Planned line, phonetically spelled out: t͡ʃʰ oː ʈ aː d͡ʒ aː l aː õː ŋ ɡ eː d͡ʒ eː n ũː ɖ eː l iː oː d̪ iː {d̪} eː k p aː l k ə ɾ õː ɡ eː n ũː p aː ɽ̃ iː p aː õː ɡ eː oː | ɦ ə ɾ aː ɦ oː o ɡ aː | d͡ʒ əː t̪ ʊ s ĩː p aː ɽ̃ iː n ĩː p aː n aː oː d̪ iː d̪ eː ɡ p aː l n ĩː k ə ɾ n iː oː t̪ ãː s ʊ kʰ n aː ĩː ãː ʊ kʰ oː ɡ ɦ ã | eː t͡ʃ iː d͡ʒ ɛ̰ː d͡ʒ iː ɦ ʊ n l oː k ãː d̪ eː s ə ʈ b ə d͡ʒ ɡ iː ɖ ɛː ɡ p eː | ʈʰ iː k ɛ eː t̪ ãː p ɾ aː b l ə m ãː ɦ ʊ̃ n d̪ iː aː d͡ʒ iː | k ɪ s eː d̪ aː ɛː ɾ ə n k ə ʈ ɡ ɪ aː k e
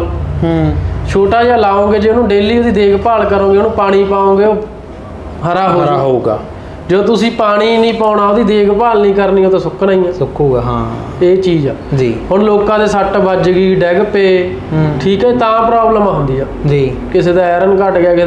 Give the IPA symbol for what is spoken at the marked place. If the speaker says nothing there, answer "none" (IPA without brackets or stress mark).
d̪